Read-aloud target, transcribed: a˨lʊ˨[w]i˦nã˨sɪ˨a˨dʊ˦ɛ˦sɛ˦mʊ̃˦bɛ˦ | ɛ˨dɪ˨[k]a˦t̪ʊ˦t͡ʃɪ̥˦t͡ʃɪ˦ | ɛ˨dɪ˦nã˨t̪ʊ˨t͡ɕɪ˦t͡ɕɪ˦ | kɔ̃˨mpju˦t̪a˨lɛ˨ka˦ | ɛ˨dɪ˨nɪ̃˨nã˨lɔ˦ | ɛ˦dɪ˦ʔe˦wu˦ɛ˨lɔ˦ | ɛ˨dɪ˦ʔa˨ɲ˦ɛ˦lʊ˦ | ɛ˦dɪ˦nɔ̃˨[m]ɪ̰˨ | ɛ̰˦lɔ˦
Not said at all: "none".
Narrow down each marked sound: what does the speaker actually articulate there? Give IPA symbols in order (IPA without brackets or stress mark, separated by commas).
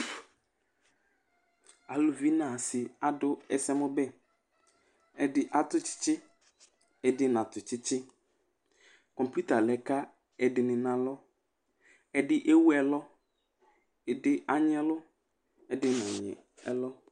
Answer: v, ʔ, ɲ